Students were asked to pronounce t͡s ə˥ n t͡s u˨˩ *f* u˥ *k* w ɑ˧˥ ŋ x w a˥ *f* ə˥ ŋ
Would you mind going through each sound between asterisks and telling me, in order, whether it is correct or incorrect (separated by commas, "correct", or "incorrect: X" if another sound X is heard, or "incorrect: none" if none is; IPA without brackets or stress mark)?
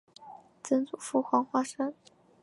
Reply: correct, incorrect: x, incorrect: ʂ